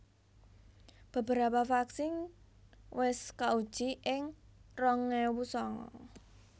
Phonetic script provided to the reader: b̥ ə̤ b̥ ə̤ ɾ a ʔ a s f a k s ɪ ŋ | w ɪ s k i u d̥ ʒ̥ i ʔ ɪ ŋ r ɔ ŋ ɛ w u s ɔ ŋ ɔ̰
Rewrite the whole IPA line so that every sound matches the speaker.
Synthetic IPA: b̥ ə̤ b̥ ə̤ ɾ a p a f a k s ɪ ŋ | w ɪ s k a u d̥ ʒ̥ i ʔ ɪ ŋ r ɔ ŋ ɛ w u s ɔ ŋ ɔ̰